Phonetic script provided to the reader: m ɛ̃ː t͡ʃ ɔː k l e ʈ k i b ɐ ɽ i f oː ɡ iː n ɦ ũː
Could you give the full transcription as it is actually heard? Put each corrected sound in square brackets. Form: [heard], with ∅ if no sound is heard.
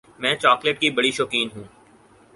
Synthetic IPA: m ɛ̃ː t͡ʃ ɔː k l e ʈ k i b ɐ ɽ i [ʃ] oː [k] iː n ɦ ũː